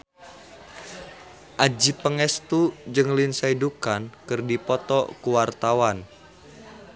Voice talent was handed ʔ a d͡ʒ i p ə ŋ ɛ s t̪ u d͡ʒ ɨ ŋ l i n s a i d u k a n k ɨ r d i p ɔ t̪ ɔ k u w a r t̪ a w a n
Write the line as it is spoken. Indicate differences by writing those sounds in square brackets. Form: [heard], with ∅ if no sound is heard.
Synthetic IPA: ʔ a d͡ʒ i p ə ŋ ɛ s t̪ u d͡ʒ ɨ ŋ l i n s a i d u k a n k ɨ r d i p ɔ t̪ ɔ k u w a r t̪ a w a n